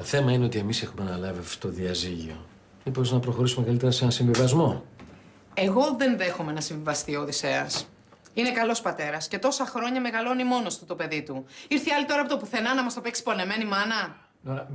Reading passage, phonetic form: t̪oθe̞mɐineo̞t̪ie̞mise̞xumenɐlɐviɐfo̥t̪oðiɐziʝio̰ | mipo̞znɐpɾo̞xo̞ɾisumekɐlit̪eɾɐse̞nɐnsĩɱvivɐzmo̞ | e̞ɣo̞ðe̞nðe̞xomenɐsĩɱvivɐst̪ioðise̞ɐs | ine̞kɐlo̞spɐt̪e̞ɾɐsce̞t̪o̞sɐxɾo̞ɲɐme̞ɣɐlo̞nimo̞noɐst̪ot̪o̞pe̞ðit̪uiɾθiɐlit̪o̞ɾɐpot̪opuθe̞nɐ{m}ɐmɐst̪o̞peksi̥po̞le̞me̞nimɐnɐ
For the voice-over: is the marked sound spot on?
no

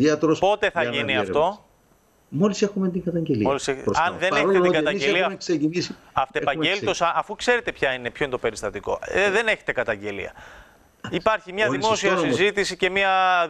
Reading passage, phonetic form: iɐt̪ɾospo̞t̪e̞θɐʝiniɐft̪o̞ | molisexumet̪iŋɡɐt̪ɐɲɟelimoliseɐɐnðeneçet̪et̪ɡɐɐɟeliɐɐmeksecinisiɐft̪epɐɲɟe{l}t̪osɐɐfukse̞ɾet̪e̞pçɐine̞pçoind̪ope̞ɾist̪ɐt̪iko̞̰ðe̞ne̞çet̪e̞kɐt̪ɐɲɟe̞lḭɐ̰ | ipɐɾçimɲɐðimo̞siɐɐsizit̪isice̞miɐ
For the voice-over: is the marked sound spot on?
yes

